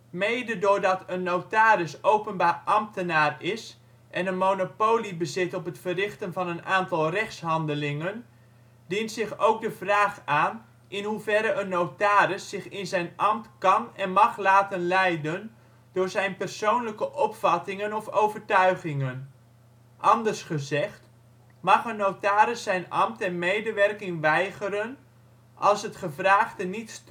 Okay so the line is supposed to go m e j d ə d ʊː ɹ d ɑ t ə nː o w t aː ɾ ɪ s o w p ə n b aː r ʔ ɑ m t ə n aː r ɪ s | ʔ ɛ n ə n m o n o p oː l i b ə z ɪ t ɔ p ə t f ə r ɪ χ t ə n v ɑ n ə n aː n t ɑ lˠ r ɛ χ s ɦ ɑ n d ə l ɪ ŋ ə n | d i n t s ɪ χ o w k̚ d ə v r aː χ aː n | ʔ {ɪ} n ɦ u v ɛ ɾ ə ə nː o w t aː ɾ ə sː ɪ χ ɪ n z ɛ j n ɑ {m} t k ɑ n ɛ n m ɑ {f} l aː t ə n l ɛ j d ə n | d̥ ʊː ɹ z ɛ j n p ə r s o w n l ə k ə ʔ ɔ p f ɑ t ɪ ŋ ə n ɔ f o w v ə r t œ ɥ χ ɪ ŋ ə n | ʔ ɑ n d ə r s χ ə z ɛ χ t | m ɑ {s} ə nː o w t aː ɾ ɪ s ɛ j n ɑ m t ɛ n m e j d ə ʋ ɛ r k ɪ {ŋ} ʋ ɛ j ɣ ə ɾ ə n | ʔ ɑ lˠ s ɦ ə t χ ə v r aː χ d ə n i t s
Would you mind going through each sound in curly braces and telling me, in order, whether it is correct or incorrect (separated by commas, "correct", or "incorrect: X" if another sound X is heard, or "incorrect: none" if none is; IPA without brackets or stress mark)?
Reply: correct, correct, incorrect: χ, incorrect: χ, correct